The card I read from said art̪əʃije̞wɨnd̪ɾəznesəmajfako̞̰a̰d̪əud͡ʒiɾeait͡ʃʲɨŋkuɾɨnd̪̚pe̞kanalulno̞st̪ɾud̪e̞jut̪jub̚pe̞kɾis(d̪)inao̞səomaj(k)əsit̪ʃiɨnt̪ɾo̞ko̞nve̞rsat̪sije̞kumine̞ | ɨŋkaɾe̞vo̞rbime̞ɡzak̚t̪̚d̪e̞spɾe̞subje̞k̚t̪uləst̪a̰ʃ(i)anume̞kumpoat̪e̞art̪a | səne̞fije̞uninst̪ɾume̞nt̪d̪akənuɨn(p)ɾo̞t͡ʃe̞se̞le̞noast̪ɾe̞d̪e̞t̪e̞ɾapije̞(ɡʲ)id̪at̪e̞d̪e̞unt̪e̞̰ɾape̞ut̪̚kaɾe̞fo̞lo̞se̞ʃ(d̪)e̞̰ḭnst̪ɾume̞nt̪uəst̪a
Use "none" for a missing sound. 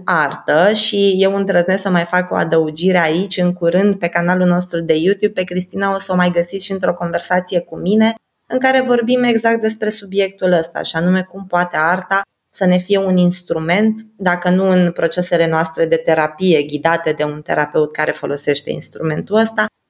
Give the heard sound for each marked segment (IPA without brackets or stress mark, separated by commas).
t̪, ɡ, i, p, ɡʲ, t̪